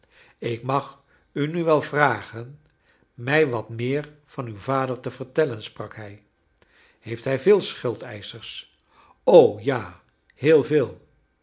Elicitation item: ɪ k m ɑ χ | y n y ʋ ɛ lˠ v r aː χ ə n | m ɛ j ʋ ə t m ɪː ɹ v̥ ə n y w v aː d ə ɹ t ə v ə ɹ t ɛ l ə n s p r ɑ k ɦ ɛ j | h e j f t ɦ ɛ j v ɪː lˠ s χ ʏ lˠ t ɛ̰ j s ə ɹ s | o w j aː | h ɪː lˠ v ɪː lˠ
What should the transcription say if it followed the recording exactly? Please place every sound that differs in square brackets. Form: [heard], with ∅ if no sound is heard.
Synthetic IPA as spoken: ɪ k m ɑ χ | y n y ʋ ɛ lˠ v r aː χ ə n | m ɛ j ʋ [ɑ] t m ɪː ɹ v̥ [ɑ] n y w v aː d ə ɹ t ə v ə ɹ t ɛ l ə n s p r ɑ k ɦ ɛ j | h e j f t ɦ ɛ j v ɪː lˠ s χ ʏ lˠ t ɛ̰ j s ə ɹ s | o w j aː | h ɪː lˠ v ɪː lˠ